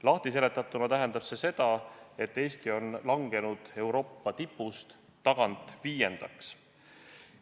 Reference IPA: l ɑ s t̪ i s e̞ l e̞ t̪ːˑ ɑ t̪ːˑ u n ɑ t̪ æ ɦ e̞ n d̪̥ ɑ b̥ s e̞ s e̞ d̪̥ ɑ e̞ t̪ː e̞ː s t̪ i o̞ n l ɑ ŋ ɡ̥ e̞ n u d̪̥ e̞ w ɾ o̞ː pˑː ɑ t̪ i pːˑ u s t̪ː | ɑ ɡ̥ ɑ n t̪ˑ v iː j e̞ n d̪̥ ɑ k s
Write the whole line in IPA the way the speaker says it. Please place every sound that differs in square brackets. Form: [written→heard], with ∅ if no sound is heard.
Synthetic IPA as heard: l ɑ [s→h] t̪ i s e̞ l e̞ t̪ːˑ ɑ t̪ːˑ u n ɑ t̪ æ ɦ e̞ n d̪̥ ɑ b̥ s e̞ s e̞ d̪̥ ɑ e̞ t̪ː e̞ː s t̪ i o̞ n l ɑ ŋ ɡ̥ e̞ n u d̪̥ e̞ w ɾ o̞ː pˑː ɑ t̪ i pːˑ u s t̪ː | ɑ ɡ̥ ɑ n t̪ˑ v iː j e̞ n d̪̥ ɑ k s